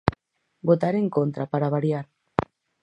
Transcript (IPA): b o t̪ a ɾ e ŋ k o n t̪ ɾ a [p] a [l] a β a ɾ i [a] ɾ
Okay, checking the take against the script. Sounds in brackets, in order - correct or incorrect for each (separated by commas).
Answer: correct, incorrect, correct